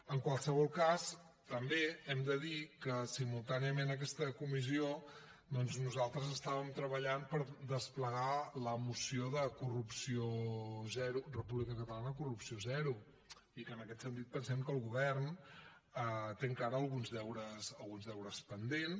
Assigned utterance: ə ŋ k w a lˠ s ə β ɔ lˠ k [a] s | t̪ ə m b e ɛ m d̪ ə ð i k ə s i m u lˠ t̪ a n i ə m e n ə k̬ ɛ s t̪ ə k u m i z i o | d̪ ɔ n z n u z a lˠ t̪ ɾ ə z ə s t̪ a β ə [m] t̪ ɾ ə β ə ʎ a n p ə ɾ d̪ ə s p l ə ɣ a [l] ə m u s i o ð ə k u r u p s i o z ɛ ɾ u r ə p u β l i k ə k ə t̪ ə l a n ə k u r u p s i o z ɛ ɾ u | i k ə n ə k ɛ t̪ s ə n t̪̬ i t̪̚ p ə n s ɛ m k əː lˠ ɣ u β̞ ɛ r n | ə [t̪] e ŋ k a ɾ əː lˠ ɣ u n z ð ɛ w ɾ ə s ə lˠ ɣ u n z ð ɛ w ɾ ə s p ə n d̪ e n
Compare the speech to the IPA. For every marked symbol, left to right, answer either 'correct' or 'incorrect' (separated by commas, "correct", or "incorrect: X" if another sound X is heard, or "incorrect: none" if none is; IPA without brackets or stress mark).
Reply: correct, correct, correct, correct